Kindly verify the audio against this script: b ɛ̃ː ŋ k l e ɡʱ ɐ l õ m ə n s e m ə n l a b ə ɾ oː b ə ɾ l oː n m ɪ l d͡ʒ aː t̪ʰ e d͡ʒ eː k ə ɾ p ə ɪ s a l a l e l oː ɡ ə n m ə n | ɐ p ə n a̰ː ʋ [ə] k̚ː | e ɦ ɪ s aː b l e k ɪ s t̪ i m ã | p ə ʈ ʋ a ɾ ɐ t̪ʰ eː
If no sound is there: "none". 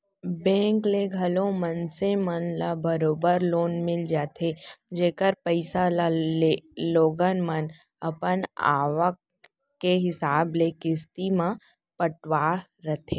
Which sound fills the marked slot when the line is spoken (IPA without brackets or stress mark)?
ə